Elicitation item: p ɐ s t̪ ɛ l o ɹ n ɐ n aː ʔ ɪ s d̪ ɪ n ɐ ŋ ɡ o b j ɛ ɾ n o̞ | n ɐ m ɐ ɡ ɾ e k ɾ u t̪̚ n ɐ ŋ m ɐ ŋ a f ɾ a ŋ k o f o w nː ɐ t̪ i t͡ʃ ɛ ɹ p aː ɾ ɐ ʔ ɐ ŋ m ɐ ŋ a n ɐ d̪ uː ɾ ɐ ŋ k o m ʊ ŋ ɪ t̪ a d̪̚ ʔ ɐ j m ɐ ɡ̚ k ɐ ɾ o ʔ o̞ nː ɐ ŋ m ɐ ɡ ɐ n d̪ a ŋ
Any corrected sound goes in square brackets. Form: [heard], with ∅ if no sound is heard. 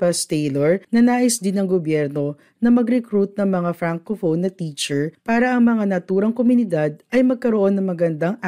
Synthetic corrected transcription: p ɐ s t̪ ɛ l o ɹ n ɐ n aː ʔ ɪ s d̪ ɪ n ɐ ŋ ɡ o b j ɛ ɾ n o̞ | n ɐ m ɐ ɡ ɾ [ɛ] k ɾ u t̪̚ n ɐ ŋ m ɐ ŋ a f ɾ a ŋ k o f o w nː ɐ t̪ i t͡ʃ ɛ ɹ p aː ɾ ɐ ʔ ɐ ŋ m ɐ ŋ a n ɐ [t̪] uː ɾ ɐ ŋ k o m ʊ [n] ɪ [d̪] a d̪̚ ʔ ɐ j m ɐ ɡ̚ k ɐ ɾ o ʔ o̞ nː ɐ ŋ m ɐ ɡ ɐ n d̪ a ŋ